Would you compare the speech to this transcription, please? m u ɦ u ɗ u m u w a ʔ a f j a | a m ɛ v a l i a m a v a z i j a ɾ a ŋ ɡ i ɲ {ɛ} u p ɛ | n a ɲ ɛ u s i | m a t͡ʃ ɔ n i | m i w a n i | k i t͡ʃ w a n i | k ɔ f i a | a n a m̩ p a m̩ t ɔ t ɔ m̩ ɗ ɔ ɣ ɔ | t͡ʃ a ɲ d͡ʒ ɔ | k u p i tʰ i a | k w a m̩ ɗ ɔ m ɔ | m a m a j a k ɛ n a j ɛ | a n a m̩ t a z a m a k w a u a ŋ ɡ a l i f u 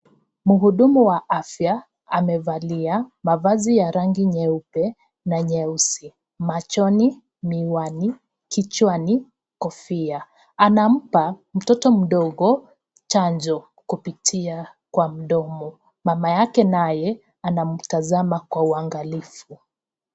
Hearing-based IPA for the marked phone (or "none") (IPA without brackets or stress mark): ɛ